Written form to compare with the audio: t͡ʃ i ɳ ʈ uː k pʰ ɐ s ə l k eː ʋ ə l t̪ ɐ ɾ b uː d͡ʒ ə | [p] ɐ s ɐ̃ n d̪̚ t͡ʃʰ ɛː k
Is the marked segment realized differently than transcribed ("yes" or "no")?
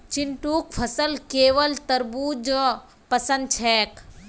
no